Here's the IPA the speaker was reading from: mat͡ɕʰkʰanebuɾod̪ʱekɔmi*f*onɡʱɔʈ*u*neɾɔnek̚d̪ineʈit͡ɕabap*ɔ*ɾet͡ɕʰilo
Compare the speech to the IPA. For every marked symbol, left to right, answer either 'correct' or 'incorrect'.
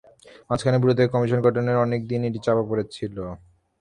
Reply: incorrect: ʃ, incorrect: o, incorrect: o

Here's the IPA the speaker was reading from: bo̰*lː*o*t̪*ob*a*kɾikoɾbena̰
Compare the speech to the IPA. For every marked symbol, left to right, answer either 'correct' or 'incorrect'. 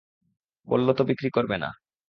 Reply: correct, correct, incorrect: i

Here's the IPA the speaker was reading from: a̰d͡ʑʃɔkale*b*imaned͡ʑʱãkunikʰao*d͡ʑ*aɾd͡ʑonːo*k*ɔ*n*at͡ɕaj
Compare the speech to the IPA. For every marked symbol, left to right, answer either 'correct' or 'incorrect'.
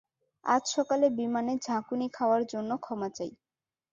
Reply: correct, incorrect: none, incorrect: kʰ, incorrect: m

